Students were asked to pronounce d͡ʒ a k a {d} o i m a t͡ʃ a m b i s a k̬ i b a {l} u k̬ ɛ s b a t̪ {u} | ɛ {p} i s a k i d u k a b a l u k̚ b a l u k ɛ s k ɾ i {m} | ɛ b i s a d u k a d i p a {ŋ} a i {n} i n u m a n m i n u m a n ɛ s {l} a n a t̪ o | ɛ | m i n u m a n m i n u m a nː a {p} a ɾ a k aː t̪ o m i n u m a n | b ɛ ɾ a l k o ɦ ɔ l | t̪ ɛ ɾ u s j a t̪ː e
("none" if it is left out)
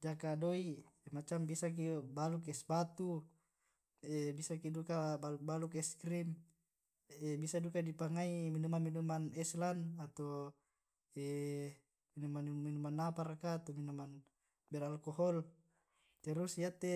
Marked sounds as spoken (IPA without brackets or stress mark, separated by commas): d, l, u, b, m, ŋ, m, l, p